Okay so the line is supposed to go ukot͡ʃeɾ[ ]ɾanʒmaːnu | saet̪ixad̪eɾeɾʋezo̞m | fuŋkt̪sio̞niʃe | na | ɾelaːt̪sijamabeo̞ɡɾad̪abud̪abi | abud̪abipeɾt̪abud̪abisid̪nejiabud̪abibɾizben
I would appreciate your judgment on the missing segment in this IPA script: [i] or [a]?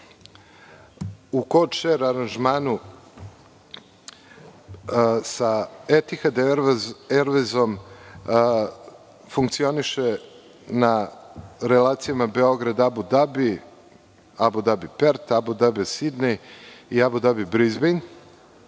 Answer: a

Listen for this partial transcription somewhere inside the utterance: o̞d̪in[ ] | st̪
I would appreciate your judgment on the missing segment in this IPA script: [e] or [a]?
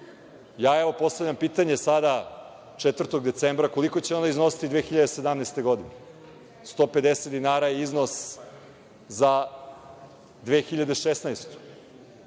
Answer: e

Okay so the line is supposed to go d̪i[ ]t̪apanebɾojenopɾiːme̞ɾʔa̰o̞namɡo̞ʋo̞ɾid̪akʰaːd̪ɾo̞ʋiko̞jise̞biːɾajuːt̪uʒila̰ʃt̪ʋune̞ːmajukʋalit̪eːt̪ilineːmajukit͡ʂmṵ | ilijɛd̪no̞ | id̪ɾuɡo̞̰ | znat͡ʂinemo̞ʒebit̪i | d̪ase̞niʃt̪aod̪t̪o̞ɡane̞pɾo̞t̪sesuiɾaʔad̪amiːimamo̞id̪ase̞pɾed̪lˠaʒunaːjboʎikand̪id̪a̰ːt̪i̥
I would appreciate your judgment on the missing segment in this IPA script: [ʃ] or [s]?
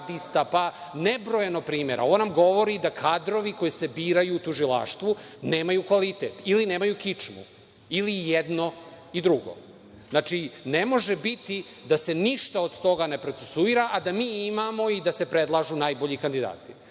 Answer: s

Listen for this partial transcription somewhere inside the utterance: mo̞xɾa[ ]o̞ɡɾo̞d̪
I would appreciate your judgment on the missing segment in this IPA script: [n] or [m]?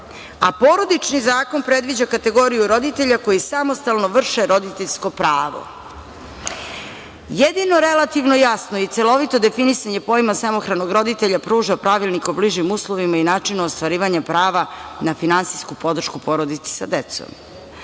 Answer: n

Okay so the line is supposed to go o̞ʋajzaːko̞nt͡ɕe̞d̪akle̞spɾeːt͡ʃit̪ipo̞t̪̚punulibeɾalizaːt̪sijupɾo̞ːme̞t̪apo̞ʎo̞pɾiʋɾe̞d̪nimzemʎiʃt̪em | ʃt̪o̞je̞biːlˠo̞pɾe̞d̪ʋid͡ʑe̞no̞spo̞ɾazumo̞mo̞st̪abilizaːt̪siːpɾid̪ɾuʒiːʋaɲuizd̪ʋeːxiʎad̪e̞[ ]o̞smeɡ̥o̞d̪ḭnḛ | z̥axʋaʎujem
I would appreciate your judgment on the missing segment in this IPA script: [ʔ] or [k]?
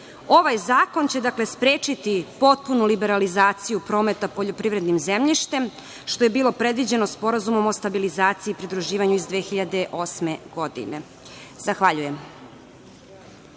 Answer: ʔ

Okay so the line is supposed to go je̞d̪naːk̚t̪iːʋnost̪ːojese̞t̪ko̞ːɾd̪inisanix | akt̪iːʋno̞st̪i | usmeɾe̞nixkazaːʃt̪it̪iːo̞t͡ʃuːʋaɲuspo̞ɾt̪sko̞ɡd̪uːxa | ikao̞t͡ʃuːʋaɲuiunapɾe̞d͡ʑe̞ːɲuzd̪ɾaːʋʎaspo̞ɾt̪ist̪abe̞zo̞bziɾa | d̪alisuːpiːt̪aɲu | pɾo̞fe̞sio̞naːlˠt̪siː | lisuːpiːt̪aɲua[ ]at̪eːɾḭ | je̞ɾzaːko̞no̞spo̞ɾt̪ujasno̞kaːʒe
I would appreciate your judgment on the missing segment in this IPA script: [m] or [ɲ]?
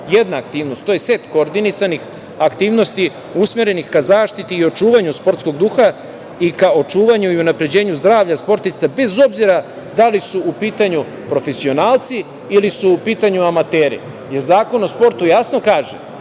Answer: m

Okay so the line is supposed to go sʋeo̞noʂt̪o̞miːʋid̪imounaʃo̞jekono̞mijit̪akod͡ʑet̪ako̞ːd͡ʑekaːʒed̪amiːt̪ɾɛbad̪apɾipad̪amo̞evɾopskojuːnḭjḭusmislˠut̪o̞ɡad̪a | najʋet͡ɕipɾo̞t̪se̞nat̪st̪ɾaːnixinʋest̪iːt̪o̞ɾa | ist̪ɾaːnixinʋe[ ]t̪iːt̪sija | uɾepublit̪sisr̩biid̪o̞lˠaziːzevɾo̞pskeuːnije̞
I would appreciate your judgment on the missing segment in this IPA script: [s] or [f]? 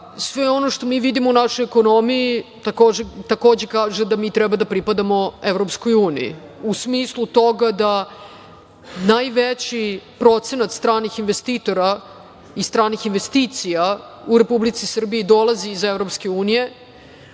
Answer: s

